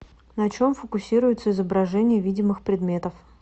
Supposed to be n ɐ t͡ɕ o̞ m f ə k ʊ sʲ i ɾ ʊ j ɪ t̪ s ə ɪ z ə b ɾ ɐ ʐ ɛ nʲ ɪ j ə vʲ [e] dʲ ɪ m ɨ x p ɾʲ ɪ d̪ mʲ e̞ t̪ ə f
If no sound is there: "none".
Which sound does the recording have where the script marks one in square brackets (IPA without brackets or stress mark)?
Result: i